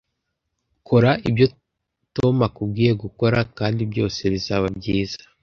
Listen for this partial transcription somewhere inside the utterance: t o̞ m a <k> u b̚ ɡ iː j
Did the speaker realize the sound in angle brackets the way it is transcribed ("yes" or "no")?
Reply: yes